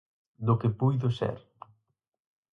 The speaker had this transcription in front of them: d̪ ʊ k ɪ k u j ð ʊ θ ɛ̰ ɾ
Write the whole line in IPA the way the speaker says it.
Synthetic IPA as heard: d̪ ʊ k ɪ p u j ð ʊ s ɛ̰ ɾ

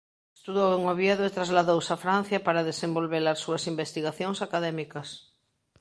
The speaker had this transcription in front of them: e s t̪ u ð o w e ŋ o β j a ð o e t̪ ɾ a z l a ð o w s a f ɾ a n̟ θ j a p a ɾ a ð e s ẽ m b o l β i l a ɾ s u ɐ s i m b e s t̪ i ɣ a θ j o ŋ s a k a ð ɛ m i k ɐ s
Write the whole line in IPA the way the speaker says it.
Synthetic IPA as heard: e s t̪ u ð o w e ŋ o β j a ð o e t̪ ɾ a z l a ð o w s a f ɾ a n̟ θ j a p a ɾ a ð e s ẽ m b o l β e l a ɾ s u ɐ s i m b e s t̪ i ɣ a θ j o ŋ s a k a ð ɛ m i k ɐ s

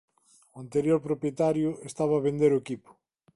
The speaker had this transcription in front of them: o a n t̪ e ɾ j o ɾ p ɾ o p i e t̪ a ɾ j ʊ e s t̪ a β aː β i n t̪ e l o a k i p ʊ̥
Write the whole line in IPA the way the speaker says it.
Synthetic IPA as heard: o a n t̪ e ɾ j o ɾ p ɾ o p j e t̪ a ɾ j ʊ e s t̪ a β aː β e n d̪ e ɾ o e k i p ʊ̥

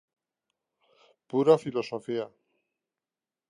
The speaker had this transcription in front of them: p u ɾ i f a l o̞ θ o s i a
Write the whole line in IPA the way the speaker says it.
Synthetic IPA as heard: p u ɾ a f i l o̞ s o f i a

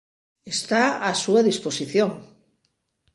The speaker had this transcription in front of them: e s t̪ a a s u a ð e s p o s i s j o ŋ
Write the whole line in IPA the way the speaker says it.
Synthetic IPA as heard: e s t̪ a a s u a ð i s p o s i θ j o ŋ

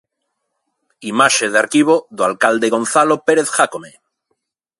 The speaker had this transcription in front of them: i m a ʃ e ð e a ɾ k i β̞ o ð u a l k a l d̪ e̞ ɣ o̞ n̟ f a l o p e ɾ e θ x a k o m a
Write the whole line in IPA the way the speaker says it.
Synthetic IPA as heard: i m a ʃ e ð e a ɾ k i β̞ o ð o a l k a l d̪ e̞ ɣ o̞ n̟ θ a l o p e ɾ e θ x a k o m e

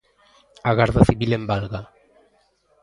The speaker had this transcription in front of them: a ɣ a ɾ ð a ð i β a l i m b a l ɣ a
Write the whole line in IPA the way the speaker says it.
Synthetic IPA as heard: a ɣ a ɾ ð a θ i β i l e m b a l ɣ a

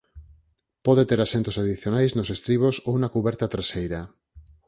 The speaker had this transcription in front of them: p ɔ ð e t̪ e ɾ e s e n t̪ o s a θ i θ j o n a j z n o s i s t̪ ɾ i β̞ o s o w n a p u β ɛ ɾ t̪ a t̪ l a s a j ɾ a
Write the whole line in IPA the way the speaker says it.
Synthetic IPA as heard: p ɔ ð e t̪ e ɾ a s e n t̪ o s a ð i θ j o n a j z n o s e s t̪ ɾ i β̞ o s o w n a k u β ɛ ɾ t̪ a t̪ ɾ a s e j ɾ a

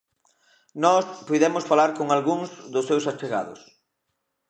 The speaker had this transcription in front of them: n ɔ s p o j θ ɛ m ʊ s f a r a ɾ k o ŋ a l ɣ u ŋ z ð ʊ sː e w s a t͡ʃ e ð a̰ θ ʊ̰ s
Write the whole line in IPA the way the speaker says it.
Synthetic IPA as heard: n ɔ s p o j ð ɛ m ʊ s f a l a ɾ k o ŋ a l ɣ u ŋ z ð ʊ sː e w s a t͡ʃ e ɣ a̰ ð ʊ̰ s

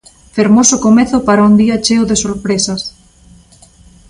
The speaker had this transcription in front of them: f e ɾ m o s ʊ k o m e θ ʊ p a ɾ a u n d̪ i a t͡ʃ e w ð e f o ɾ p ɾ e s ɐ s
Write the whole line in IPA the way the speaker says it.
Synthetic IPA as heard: f e ɾ m o s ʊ k o m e θ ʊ p a ɾ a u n d̪ i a t͡ʃ e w ð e s o ɾ p ɾ e s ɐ s

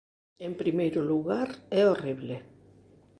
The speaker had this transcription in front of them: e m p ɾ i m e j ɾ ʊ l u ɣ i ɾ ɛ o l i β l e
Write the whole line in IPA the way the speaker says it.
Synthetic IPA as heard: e m p ɾ i m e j ɾ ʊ l u ɣ a ɾ ɛ o r i β l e

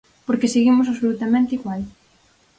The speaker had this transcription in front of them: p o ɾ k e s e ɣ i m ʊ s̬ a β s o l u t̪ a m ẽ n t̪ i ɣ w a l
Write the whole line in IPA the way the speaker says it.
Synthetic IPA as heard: p o ɾ k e s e ɣ i m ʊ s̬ a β s o l u t̪ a m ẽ n t̪ i ɣ w a l

